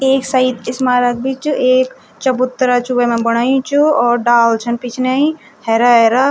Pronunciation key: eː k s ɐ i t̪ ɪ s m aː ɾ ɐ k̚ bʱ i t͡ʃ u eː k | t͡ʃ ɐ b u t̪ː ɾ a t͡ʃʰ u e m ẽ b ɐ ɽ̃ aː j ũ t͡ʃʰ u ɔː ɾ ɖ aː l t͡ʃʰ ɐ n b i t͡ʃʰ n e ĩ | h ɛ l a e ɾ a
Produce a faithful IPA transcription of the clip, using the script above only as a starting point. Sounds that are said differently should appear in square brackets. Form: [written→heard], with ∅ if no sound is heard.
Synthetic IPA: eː k s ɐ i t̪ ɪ s m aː ɾ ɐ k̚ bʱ i t͡ʃ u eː k | t͡ʃ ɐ b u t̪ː ɾ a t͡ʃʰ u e m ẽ b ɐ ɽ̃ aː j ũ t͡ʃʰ u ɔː ɾ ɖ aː l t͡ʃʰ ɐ n [b→p] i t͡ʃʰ n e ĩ | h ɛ [l→ɾ] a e ɾ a